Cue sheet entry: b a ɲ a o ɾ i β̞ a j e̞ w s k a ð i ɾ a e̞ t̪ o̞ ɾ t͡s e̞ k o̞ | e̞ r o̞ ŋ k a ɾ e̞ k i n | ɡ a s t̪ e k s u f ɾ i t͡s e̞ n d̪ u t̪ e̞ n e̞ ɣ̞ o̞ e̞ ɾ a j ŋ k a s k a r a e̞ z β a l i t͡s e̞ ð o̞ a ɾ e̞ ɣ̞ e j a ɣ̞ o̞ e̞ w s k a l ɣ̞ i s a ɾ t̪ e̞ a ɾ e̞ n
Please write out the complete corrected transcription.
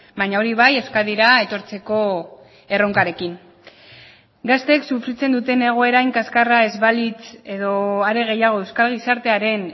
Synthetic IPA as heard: b a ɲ a o ɾ i β̞ a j e̞ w s k a ð i ɾ a e̞ t̪ o̞ ɾ t͡s e̞ k o̞ | e̞ r o̞ ŋ k a ɾ e̞ k i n | ɡ a s t̪ e k s u f ɾ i t͡s e̞ n d̪ u t̪ e̞ n e̞ ɣ̞ o̞ e̞ ɾ a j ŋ k a s k a r a e̞ z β a l i t͡s e̞ ð o̞ a ɾ e̞ ɣ̞ e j a ɣ̞ o̞ e̞ w s k a l ɣ̞ i s a ɾ t̪ e̞ a ɾ e̞ n